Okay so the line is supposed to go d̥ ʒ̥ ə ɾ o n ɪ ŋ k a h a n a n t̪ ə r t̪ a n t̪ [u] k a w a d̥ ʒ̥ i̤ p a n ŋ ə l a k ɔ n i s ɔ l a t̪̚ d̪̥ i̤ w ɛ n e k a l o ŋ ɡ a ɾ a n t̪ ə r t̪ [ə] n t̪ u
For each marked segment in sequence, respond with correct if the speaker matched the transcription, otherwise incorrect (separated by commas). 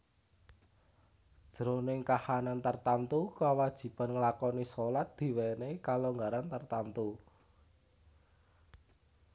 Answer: correct, incorrect